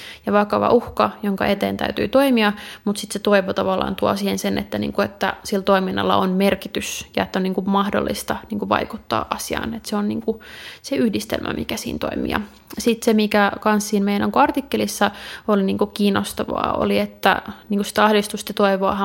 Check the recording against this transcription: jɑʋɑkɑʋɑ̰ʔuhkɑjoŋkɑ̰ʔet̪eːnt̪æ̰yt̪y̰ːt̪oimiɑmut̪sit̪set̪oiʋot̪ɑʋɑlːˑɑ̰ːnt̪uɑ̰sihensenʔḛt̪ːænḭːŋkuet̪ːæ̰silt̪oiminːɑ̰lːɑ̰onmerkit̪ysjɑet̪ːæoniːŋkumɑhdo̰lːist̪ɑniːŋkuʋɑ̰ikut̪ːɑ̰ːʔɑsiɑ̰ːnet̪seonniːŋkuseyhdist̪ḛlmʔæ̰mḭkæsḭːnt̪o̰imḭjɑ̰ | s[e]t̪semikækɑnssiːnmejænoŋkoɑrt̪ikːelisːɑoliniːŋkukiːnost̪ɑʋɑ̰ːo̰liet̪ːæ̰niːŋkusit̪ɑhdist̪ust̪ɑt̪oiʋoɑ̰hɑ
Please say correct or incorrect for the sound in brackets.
incorrect